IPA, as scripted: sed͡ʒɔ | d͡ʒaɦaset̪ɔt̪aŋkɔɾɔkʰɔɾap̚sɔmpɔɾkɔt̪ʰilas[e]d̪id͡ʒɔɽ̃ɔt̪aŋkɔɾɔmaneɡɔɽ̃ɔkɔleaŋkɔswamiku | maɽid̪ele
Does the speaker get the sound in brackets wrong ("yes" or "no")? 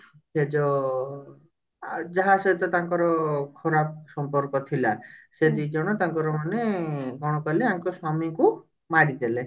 no